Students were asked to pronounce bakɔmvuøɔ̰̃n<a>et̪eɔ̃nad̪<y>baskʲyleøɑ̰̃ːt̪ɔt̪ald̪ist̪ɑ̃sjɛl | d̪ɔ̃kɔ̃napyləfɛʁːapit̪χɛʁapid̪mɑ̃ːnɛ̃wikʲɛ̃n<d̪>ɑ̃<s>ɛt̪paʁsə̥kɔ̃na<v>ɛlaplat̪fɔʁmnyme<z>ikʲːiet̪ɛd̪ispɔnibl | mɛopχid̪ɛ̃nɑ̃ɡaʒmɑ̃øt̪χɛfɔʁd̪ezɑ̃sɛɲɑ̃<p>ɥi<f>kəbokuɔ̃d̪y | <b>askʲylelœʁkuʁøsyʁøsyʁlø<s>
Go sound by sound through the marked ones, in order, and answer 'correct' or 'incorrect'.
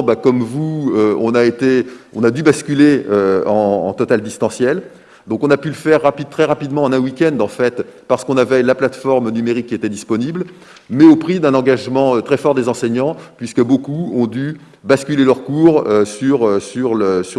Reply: correct, correct, correct, incorrect: f, correct, incorrect: ʁ, correct, incorrect: s, correct, correct

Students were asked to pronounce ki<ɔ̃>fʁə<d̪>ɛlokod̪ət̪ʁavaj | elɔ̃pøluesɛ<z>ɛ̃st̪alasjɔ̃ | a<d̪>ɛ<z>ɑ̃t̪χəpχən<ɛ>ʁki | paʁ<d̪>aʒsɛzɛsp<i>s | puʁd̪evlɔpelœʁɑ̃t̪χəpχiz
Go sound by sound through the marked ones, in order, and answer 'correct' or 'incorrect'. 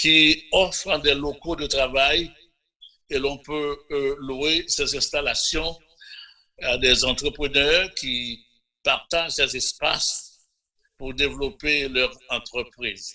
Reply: incorrect: ɔ, correct, correct, correct, correct, incorrect: œ, incorrect: t̪, incorrect: a

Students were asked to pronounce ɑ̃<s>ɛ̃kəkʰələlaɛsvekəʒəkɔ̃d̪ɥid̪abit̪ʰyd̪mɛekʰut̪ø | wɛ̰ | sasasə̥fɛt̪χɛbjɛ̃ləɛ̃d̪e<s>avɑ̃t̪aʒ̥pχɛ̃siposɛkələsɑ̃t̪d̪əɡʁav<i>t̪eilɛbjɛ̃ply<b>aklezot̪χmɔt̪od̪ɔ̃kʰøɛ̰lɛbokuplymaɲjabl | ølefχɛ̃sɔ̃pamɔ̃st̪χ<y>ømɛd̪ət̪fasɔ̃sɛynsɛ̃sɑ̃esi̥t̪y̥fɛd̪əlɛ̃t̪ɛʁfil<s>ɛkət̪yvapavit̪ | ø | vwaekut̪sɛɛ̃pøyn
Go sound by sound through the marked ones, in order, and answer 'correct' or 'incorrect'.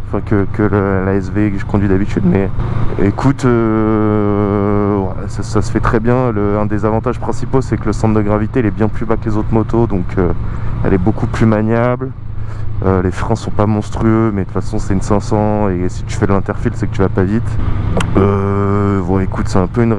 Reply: incorrect: f, incorrect: z, correct, correct, correct, correct

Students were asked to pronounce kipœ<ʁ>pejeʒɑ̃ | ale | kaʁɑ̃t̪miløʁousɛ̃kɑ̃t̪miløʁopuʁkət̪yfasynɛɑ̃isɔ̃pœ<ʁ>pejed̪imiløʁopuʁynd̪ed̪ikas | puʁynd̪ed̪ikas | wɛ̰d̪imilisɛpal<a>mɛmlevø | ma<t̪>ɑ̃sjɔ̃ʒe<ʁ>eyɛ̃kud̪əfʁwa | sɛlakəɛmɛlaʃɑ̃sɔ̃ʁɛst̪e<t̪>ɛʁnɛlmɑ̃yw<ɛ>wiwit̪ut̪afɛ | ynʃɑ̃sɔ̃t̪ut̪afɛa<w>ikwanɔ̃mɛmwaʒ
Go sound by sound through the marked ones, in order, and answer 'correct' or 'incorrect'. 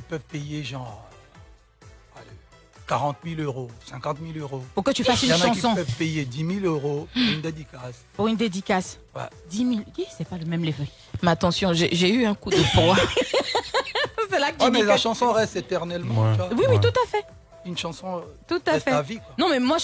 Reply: incorrect: v, incorrect: v, incorrect: ə, correct, incorrect: ʒ, correct, incorrect: a, incorrect: v

